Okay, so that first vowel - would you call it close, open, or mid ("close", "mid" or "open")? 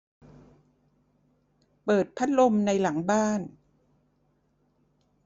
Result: mid